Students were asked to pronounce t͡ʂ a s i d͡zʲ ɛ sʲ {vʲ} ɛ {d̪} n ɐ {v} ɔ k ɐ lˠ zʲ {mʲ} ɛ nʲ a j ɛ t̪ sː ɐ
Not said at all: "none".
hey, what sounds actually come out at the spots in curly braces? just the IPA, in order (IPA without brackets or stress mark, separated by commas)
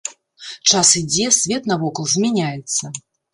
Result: vʲ, t̪, v, mʲ